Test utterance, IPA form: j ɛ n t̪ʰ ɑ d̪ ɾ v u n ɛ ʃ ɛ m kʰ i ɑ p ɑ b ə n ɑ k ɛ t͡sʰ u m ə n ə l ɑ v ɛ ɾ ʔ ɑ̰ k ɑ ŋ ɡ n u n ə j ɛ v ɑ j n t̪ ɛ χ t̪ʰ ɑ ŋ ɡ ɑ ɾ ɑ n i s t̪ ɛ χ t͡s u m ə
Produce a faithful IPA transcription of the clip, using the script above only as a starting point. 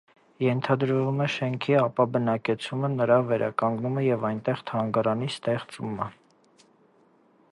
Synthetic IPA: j ɛ n t̪ʰ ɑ d̪ ɾ v u m ɛ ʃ ɛ ŋ kʰ i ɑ p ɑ b ə n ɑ k ɛ t͡sʰ u m ə n ə ɾ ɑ v ɛ ɾ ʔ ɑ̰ k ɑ ŋ ɡ n u m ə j ɛ v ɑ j n t̪ ɛ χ t̪ʰ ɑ ŋ ɡ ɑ ɾ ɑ n i s t̪ ɛ χ t͡s u m ə